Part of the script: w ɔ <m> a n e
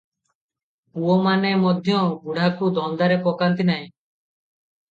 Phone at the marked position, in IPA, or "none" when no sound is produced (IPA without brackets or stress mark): m